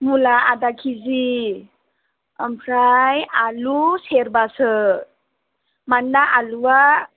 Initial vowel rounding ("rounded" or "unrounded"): rounded